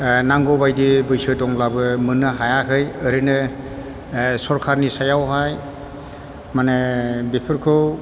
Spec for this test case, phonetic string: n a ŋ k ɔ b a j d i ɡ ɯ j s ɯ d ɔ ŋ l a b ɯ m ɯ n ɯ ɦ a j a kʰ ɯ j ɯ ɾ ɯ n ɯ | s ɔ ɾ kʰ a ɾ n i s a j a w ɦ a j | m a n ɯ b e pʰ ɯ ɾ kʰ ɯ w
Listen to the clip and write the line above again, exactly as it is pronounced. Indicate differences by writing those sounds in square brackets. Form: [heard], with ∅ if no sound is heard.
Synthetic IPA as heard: n a ŋ [ɡ] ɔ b a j d i [b] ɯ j s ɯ d ɔ ŋ l a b ɯ m ɯ n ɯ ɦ a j a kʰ ɯ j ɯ ɾ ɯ n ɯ | s ɔ ɾ kʰ a ɾ n i s a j a w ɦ a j | m a n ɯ b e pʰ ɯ ɾ kʰ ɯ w